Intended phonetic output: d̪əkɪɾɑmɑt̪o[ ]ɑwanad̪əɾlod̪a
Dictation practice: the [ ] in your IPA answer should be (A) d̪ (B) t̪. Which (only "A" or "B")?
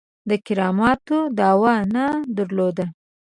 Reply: A